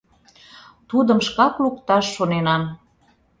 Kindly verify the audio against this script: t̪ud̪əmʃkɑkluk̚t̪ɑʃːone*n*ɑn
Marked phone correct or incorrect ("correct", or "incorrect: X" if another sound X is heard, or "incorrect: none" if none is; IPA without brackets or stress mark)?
correct